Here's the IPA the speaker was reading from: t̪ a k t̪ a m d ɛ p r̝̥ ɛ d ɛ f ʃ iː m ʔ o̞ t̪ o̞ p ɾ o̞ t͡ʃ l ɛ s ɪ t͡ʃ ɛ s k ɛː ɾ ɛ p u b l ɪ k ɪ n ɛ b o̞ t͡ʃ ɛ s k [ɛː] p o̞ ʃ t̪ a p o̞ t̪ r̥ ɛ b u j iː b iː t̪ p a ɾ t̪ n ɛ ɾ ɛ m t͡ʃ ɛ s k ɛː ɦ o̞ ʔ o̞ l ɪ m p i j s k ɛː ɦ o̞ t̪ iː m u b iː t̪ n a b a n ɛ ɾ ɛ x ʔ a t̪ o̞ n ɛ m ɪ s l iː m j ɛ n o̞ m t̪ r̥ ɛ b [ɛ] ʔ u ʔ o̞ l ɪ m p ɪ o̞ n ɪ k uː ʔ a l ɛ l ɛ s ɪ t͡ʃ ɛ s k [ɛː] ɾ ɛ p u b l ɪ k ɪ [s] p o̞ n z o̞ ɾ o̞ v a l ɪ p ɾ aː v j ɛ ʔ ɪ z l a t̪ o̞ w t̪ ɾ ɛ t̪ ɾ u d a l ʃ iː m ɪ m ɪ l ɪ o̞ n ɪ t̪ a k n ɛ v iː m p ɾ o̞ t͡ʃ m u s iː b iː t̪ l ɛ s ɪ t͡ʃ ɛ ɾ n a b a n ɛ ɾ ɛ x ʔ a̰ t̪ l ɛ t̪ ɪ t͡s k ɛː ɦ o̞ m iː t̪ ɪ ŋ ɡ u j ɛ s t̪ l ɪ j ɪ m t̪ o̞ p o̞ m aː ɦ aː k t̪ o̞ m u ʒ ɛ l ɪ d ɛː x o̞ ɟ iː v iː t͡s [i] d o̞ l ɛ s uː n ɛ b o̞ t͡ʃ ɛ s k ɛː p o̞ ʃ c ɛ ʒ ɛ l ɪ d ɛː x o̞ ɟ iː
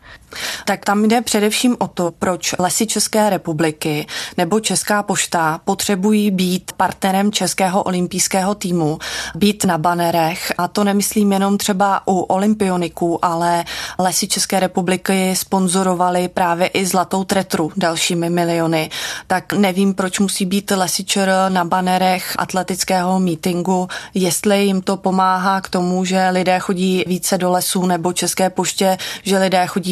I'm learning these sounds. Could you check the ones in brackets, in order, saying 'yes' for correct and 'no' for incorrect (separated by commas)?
no, no, yes, yes, no